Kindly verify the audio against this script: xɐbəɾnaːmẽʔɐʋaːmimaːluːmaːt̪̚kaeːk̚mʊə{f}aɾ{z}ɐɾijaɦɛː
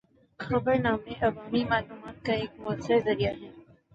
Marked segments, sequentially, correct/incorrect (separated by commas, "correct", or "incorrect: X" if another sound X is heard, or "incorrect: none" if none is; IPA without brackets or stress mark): incorrect: s, correct